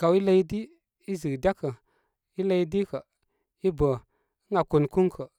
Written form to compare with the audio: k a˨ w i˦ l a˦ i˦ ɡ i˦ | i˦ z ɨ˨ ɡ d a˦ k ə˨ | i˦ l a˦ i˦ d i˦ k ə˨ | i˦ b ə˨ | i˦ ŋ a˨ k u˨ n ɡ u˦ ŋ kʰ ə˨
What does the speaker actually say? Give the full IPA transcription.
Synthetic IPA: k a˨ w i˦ l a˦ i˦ d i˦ | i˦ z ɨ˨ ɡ d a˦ k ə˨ | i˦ l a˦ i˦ d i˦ k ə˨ | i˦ b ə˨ | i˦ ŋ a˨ k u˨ n k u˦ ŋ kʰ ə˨